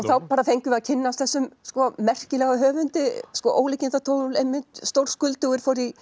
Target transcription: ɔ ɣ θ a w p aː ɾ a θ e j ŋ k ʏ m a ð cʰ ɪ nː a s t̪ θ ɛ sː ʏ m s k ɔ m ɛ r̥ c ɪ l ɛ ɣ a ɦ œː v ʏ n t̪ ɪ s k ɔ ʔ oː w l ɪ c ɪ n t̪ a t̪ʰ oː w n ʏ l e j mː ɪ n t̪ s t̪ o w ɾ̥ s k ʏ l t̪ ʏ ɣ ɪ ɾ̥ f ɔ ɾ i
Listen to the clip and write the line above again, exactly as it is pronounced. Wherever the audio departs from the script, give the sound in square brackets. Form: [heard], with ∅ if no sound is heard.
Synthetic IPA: ɔ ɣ θ a w p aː ɾ a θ e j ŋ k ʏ m a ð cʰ ɪ nː a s t̪ θ ɛ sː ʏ m s k ɔ m ɛ r̥ c ɪ l ɛ ɣ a ɦ œː v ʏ n t̪ ɪ s k ɔ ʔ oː w l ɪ c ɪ n t̪ a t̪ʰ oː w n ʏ l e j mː ɪ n t̪ s t̪ o w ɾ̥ s k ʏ l t̪ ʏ ɣ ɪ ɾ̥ f ɔ ɾ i